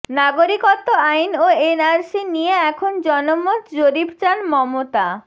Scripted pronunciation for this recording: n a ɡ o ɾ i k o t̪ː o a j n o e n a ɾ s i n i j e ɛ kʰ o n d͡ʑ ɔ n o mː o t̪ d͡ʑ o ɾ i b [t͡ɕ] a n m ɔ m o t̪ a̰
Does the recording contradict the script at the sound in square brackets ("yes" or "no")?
no